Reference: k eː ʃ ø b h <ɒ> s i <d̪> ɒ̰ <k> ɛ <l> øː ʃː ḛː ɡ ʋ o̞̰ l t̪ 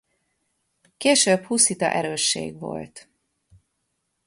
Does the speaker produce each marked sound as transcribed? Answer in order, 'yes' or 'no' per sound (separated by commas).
no, no, no, no